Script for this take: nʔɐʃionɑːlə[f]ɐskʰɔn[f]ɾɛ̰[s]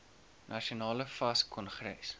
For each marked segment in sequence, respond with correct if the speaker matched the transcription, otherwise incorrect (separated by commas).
correct, incorrect, correct